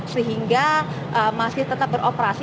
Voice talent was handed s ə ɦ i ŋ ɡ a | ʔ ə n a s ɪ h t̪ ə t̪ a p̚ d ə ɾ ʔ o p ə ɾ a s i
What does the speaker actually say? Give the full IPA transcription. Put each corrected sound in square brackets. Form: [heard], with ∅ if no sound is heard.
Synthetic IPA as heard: s ə ɦ i ŋ ɡ a | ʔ ə [m] a s ɪ h t̪ ə t̪ a p̚ [b] ə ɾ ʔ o p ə ɾ a s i

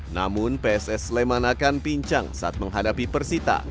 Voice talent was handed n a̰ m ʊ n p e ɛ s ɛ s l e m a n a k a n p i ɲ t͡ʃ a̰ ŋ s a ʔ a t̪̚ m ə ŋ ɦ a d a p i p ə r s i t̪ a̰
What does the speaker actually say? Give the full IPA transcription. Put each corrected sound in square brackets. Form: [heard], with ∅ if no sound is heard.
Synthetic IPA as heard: n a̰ m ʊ n p e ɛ s ɛ s l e m a n a k a n p i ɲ t͡ʃ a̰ ŋ s a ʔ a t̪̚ m ə ŋ ɦ a d a p i p ə r s i t̪ a̰

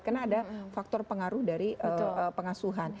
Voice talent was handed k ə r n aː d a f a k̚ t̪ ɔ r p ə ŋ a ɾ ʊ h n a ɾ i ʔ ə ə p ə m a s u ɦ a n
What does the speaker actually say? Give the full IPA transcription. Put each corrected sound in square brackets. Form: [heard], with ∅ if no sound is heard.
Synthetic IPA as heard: k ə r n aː d a f a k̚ t̪ ɔ r p ə ŋ a ɾ ʊ h [d] a ɾ i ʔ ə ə p ə [ŋ] a s u ɦ a n

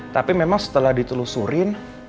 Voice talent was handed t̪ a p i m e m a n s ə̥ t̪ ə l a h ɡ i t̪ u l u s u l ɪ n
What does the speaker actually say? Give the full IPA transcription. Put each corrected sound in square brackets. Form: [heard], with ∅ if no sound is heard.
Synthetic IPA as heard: t̪ a p i m e m a [ŋ] s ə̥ t̪ ə l a h [d] i t̪ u l u s u [ɾ] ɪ n

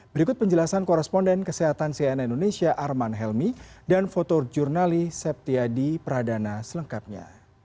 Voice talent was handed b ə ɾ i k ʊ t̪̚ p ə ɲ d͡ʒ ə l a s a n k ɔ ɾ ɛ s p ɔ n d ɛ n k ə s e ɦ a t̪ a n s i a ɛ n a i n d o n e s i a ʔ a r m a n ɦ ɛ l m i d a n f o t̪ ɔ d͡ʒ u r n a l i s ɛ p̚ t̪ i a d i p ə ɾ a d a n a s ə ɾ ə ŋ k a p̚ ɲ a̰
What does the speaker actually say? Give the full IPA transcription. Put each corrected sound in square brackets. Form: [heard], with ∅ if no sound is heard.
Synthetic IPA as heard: b ə ɾ i k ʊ t̪̚ p ə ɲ d͡ʒ ə l a s a n k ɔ ɾ ɛ s p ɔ n d ɛ n k ə s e ɦ a t̪ a n s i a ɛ n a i n d o n e s i a ʔ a r m a n ɦ ɛ l m i d a n f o t̪ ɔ d͡ʒ u r n a l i s ɛ p̚ t̪ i a d i p ə ɾ a d a n a s ə [l] ə ŋ k a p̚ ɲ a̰

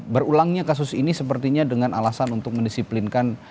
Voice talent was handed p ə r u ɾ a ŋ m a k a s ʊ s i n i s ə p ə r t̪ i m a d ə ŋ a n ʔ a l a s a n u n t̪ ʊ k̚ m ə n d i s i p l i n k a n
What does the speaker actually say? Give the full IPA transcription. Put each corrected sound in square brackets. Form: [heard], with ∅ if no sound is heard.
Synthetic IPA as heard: [b] ə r u [l] a ŋ [ɲ] a k a s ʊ s i n i s ə p ə r t̪ i [ɲ] a d ə ŋ a n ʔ a l a s a n u n t̪ ʊ k̚ m ə n d i s i p l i n k a n

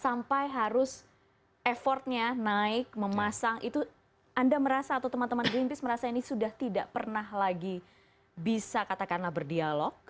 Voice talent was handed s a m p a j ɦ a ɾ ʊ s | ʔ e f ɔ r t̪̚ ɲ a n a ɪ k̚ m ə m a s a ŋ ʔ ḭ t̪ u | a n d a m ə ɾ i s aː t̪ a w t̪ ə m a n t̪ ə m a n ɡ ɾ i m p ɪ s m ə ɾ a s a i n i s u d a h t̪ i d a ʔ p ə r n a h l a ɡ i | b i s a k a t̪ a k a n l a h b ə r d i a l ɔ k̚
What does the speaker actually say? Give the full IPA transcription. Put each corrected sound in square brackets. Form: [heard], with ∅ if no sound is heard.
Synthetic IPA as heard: s a m p a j ɦ a ɾ ʊ s | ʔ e f ɔ r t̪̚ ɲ a n a ɪ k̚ m ə m a s a ŋ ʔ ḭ t̪ u | a n d a m ə ɾ [a] s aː t̪ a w t̪ ə m a n t̪ ə m a n ɡ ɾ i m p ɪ s m ə ɾ a s a i n i s u d a h t̪ i d a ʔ p ə r n a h l a ɡ i | b i s a k a t̪ a k a n l a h b ə r d i a l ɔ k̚

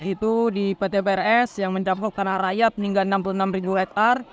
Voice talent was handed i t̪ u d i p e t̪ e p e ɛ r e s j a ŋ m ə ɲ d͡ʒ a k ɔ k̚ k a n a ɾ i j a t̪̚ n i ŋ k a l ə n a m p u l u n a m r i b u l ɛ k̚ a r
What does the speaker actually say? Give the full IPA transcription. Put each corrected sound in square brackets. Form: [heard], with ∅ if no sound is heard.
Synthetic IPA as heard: i t̪ u d i p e t̪ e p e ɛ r [ɛ] s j a ŋ m ə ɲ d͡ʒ a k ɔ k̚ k a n a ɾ [a] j a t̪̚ n i ŋ [ɡ] a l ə n a m p u l u n a m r i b u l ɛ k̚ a r

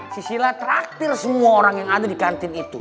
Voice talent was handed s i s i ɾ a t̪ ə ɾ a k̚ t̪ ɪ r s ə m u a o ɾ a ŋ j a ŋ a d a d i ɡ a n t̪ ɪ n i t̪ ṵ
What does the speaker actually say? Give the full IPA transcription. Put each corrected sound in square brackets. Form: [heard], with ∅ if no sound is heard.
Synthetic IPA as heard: s i s i [l] a t̪ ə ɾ a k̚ t̪ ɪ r s ə m u a o ɾ a ŋ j a ŋ a d a d i [k] a n t̪ ɪ n i t̪ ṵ

